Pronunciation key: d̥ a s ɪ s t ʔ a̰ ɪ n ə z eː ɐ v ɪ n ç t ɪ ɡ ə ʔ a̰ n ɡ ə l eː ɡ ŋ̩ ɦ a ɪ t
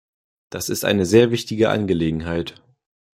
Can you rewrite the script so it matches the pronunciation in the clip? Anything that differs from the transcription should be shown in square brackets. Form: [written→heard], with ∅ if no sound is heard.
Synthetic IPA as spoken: d̥ a s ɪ s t ʔ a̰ ɪ n ə z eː ɐ v ɪ [n→∅] ç t ɪ ɡ ə ʔ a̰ n ɡ ə l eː ɡ ŋ̩ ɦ a ɪ t